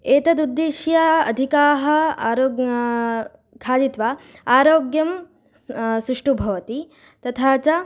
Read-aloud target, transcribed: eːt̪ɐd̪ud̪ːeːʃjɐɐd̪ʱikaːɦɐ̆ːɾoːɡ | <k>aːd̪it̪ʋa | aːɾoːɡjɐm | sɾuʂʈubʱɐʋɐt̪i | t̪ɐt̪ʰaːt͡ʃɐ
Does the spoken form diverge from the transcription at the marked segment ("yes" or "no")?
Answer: yes